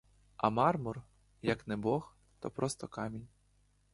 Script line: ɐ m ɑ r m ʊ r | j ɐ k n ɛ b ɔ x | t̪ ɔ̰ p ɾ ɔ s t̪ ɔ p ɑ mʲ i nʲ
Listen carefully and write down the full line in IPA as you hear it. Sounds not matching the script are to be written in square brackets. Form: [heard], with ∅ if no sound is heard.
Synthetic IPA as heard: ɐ m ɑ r m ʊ r | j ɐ k n ɛ b ɔ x | t̪ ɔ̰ p ɾ ɔ s t̪ ɔ [k] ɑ mʲ i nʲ

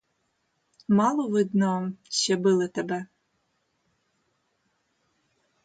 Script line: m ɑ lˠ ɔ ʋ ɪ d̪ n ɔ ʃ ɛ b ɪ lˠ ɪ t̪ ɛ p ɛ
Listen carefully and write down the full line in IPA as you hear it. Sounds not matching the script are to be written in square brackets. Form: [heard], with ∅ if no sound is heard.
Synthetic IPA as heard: m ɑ lˠ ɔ ʋ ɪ d̪ n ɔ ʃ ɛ b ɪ lˠ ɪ t̪ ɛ [b] ɛ

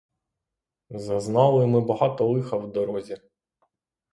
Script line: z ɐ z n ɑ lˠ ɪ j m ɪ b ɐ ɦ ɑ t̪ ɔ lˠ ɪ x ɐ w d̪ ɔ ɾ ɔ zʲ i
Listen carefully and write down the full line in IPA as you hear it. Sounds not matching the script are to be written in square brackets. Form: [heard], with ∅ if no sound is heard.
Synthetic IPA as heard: z ɐ z n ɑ lˠ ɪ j m ɪ b ɐ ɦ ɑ t̪ ɔ lˠ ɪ x ɐ w d̪ ɔ ɾ ɔ zʲ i

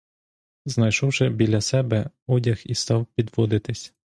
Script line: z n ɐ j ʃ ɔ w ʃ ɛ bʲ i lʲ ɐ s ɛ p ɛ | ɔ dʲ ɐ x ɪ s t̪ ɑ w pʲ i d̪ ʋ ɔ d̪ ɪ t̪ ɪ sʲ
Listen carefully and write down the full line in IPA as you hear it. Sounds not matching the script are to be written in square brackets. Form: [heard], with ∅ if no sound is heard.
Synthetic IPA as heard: z n ɐ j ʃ ɔ w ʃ ɛ bʲ i lʲ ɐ s ɛ [b] ɛ | ɔ dʲ ɐ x [i] s t̪ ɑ w pʲ i d̪ ʋ ɔ d̪ ɪ t̪ ɪ sʲ

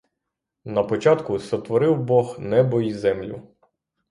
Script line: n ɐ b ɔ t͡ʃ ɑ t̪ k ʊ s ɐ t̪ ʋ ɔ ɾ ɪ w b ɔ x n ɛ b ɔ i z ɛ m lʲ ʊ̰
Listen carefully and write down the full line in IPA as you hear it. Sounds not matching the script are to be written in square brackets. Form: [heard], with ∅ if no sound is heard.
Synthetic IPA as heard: n ɐ [p] ɔ t͡ʃ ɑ t̪ k ʊ s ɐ t̪ ʋ ɔ ɾ ɪ w b ɔ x n ɛ b ɔ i z ɛ m lʲ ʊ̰

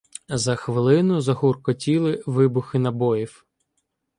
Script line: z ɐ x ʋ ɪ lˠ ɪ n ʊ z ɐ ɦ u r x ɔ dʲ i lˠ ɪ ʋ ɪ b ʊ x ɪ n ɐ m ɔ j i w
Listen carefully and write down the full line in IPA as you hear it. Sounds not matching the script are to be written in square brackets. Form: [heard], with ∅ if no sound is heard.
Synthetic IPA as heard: z ɐ x ʋ ɪ lˠ ɪ n ʊ z ɐ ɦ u r [k] ɔ [tʲ] i lˠ ɪ ʋ ɪ b ʊ x ɪ n ɐ [b] ɔ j i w

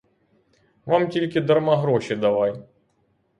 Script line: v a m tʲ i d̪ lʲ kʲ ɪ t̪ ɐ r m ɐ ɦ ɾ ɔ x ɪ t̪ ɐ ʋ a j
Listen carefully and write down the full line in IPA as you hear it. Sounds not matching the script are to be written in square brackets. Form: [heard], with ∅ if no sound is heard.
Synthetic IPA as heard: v a m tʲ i [∅] lʲ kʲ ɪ [d̪] ɐ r m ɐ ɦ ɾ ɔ [ɕ] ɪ [d̪] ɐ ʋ a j

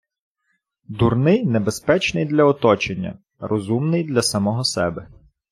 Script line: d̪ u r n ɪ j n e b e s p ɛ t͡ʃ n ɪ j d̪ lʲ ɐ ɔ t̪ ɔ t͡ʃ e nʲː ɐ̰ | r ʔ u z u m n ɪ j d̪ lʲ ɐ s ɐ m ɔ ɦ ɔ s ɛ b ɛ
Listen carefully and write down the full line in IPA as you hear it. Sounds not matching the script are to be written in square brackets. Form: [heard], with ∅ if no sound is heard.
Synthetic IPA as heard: d̪ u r n ɪ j n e b e s p ɛ t͡ʃ n ɪ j d̪ lʲ ɐ ɔ t̪ ɔ t͡ʃ e nʲː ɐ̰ | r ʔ [ɔ] z u m n ɪ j d̪ lʲ ɐ s ɐ m ɔ ɦ ɔ s ɛ b ɛ

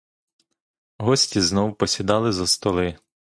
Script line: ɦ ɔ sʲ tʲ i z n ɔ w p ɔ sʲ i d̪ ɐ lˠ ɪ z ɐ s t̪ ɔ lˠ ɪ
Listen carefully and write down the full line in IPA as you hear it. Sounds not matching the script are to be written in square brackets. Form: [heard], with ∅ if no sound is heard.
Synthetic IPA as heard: ɦ ɔ sʲ tʲ i z n ɔ w p ɔ sʲ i d̪ [ɑ] lˠ ɪ z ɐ s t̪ ɔ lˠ ɪ

